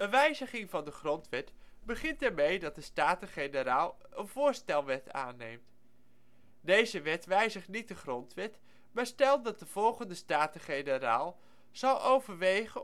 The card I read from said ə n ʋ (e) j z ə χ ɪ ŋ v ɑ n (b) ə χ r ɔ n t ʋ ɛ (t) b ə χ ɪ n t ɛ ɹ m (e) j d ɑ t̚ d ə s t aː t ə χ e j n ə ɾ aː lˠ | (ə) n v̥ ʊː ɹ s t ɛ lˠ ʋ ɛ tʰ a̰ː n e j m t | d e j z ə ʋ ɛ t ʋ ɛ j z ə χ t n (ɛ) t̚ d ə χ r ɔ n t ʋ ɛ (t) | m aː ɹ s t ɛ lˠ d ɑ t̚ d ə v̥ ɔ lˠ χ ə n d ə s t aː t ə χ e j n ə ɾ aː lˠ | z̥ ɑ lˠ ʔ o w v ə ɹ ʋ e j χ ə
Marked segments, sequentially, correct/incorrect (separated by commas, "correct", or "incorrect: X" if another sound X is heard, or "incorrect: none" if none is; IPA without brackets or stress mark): incorrect: ɛ, incorrect: d, correct, correct, correct, incorrect: i, correct